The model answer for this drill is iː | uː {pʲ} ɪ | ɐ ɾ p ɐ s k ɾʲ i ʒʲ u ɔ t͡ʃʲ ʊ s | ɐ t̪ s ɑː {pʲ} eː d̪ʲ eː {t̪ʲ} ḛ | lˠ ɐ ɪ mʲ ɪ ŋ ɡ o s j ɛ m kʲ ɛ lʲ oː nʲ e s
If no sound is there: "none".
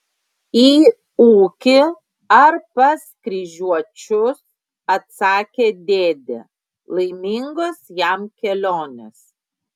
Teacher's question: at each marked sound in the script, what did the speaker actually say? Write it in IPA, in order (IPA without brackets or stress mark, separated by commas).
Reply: kʲ, kʲ, d̪ʲ